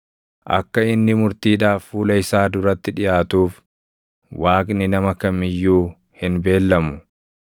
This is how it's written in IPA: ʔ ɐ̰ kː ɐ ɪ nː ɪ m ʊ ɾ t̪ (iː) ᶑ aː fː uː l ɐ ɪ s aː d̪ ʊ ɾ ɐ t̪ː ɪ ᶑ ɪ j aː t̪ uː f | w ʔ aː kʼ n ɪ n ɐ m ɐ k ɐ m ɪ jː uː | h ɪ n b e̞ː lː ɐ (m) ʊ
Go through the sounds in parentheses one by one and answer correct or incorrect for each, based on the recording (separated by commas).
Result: correct, correct